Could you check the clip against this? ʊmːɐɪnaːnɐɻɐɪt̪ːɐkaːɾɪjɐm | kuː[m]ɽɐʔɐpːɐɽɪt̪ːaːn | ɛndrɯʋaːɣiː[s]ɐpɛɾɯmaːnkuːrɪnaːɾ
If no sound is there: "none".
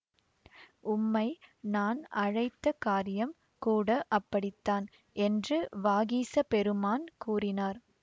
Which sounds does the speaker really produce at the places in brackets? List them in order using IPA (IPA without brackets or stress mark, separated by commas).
none, s